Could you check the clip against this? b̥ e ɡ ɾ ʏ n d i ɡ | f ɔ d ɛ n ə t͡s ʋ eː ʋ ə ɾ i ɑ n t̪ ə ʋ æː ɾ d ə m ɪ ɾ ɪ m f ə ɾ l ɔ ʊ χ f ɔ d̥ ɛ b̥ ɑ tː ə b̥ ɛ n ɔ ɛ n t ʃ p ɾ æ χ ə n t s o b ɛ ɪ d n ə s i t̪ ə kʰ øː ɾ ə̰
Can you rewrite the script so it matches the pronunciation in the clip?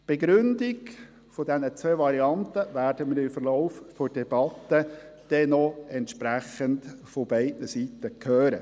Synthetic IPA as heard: b̥ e ɡ ɾ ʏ n d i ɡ | f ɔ d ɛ n ə t͡s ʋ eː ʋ ɑ ɾ i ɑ n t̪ ə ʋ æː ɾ d ə m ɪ ɾ ɪ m f ə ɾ l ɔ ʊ f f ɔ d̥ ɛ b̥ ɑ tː ə d̥ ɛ n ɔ ɛ n t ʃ p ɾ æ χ ə n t f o b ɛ ɪ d n ə s i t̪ ə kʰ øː ɾ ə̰